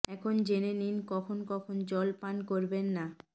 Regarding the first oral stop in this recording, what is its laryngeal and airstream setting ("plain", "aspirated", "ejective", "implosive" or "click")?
aspirated